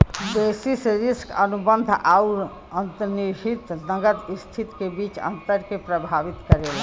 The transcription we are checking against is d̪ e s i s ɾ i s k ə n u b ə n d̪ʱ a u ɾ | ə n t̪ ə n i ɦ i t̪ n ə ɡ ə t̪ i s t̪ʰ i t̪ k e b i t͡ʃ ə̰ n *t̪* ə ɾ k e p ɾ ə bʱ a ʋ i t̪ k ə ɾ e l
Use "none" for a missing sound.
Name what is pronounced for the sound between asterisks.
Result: t̪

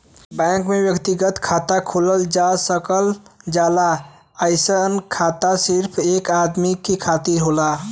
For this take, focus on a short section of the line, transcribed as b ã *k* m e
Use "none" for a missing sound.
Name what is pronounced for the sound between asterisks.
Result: k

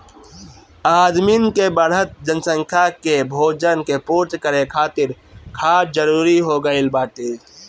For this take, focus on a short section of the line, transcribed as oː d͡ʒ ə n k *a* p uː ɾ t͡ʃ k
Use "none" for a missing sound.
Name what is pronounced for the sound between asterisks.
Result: e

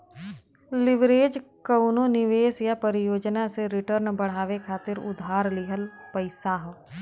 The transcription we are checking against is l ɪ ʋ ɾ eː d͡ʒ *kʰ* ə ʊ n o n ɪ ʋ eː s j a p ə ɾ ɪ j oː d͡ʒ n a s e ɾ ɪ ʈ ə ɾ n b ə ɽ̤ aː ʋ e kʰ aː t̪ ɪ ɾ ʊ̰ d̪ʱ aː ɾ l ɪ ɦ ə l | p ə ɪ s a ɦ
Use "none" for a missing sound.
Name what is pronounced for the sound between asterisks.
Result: k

